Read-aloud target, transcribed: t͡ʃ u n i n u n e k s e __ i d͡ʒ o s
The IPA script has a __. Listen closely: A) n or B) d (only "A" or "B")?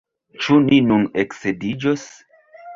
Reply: B